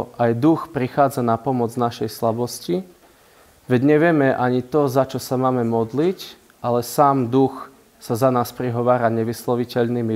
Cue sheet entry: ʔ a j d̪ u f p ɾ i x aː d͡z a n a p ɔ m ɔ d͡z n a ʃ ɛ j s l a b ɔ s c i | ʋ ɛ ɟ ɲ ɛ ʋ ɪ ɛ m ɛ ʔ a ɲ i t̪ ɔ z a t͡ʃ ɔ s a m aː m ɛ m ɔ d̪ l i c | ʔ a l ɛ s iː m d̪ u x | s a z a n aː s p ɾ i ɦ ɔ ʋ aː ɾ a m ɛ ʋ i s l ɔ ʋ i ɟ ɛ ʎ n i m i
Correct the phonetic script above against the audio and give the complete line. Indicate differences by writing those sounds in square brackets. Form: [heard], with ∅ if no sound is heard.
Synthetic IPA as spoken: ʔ a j d̪ u [x] p ɾ i x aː d͡z a n a p ɔ m ɔ d͡z n a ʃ ɛ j s l a b ɔ s c i | ʋ ɛ ɟ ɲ ɛ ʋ ɪ ɛ m ɛ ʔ a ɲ i t̪ ɔ z a t͡ʃ ɔ s a m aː m ɛ m ɔ d̪ l i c | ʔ a l ɛ s [aː] m d̪ u x | s a z a n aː s p ɾ i ɦ ɔ ʋ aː ɾ a [ɲ] ɛ ʋ i s l ɔ ʋ i [c] ɛ ʎ n i m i